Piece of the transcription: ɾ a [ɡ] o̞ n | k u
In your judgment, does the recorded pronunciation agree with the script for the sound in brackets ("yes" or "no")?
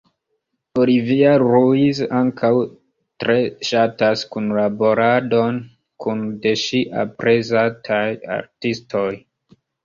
no